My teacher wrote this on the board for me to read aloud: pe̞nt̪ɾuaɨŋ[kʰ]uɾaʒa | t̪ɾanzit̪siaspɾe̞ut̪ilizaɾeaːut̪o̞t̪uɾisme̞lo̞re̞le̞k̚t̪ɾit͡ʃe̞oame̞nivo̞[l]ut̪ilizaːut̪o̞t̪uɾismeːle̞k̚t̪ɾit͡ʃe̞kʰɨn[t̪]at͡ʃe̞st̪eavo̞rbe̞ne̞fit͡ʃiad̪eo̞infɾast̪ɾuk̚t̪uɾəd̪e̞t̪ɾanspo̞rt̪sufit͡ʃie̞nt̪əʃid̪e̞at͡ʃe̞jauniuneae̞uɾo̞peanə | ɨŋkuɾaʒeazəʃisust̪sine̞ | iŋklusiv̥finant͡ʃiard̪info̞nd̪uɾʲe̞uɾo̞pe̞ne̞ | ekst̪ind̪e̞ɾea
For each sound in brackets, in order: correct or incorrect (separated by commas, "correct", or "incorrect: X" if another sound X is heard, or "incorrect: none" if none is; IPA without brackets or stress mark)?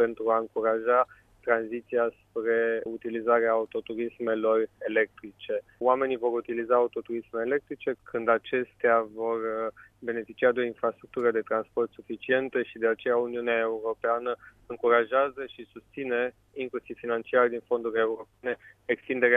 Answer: incorrect: k, incorrect: ɾ, incorrect: d̪